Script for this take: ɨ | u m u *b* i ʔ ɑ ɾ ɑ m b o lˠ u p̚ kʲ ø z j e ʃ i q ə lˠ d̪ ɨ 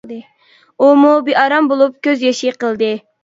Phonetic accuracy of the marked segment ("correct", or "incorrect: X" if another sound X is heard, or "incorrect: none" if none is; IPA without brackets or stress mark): correct